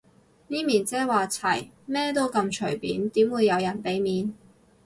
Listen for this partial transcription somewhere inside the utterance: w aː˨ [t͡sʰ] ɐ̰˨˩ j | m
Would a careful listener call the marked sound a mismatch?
no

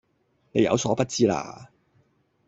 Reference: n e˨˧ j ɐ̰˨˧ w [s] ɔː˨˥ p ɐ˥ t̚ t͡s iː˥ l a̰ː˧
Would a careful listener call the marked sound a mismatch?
no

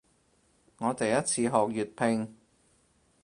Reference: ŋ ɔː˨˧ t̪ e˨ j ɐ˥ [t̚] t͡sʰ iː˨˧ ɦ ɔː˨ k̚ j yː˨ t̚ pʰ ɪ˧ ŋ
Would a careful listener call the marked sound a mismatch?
no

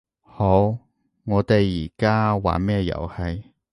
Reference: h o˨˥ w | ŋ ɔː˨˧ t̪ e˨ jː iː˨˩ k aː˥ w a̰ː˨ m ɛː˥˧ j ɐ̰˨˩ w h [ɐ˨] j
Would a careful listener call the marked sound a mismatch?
no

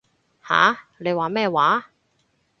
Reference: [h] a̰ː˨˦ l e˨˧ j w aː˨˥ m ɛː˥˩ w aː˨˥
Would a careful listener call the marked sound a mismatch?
no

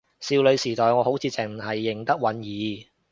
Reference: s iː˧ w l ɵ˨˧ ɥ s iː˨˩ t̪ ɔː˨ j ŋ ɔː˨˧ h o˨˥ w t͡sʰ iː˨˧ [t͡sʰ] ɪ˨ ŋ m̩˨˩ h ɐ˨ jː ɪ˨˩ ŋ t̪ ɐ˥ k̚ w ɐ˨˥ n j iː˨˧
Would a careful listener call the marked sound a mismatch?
yes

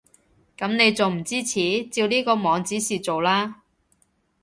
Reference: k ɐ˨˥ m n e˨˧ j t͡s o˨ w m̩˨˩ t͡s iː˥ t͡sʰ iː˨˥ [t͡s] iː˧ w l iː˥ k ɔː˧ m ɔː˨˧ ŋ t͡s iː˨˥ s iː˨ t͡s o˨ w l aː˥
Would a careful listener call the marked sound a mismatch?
no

